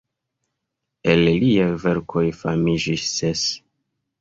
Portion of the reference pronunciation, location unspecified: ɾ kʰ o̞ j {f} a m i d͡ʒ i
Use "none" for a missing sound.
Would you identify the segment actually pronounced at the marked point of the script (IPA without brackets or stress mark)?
f